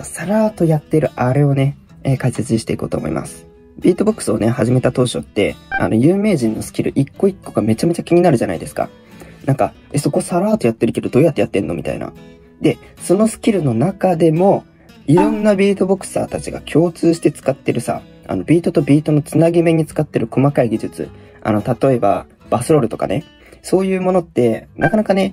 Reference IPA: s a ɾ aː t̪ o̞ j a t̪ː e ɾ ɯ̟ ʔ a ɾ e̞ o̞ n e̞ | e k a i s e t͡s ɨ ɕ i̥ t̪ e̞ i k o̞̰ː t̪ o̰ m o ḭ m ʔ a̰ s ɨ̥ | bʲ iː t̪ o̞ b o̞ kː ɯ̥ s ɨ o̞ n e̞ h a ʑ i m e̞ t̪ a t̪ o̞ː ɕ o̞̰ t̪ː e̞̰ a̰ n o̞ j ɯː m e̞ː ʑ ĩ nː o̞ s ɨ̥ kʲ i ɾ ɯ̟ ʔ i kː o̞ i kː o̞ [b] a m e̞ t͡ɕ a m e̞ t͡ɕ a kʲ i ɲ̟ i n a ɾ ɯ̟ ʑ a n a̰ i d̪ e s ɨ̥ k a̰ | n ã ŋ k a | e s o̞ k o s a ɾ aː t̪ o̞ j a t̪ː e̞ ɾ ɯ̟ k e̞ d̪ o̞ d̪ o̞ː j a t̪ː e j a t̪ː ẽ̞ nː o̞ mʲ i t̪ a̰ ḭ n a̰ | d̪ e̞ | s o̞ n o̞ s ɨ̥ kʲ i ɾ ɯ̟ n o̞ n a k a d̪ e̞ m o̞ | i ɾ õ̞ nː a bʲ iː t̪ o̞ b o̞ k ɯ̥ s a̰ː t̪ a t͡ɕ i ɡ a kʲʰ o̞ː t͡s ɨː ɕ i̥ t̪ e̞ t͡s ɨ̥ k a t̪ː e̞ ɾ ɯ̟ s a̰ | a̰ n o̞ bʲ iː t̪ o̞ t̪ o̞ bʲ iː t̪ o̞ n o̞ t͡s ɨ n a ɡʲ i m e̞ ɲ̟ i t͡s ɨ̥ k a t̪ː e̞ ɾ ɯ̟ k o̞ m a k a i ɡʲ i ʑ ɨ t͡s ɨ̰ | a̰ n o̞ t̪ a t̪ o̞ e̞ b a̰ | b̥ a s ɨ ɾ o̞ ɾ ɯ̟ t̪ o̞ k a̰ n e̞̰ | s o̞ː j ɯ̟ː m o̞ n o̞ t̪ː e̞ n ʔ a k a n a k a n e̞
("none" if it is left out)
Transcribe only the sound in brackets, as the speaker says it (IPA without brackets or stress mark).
ɡ